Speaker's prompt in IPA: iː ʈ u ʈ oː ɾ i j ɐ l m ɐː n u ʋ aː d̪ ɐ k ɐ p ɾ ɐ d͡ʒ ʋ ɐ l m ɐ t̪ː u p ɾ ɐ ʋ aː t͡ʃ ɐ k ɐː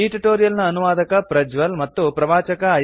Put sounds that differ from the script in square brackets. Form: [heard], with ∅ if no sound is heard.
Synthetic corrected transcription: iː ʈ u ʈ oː ɾ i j ɐ l [n] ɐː n u ʋ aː d̪ ɐ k ɐ p ɾ ɐ d͡ʒ ʋ ɐ l m ɐ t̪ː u p ɾ ɐ ʋ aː t͡ʃ ɐ k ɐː

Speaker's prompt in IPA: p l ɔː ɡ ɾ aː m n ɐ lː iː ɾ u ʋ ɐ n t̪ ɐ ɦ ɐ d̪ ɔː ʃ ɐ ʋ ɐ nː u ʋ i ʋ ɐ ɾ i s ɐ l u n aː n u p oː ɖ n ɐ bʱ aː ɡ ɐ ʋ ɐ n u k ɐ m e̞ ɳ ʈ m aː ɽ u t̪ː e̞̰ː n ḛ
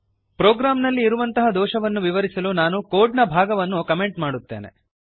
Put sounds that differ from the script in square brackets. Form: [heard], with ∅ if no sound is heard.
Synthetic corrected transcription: p [ɾ] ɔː ɡ ɾ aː m n ɐ lː iː ɾ u ʋ ɐ n t̪ ɐ ɦ ɐ d̪ ɔː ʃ ɐ ʋ ɐ nː u ʋ i ʋ ɐ ɾ i s ɐ l u n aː n u [k] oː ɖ n ɐ bʱ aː ɡ ɐ ʋ ɐ [nː] u k ɐ m e̞ ɳ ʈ m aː ɽ u t̪ː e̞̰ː n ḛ

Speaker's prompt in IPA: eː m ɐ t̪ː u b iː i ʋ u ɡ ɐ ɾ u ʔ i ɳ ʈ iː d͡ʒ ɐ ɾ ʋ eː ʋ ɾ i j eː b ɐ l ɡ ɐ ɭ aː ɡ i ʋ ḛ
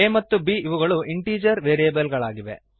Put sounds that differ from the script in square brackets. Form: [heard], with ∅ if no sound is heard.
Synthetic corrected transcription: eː m ɐ t̪ː u b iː i ʋ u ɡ ɐ [ɭ] u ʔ i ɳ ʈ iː d͡ʒ ɐ ɾ ʋ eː [∅] ɾ i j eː b ɐ l ɡ ɐ ɭ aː ɡ i ʋ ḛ

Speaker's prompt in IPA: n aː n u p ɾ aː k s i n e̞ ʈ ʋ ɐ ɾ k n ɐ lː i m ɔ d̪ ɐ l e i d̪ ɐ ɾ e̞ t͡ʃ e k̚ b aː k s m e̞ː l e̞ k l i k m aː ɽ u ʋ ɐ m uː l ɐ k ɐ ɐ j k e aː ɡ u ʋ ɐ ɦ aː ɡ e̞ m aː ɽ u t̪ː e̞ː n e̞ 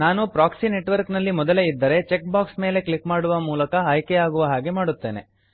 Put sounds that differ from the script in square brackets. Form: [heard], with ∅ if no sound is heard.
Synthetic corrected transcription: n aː n u p ɾ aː k s i n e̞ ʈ ʋ ɐ ɾ k n ɐ lː i m ɔ d̪ ɐ l e i [d̪ː] ɐ ɾ e̞ t͡ʃ e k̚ b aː k s m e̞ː l e̞ k l i k m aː ɽ u ʋ ɐ m uː l ɐ k ɐ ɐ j k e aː ɡ u ʋ ɐ ɦ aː ɡ e̞ m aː ɽ u t̪ː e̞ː n e̞

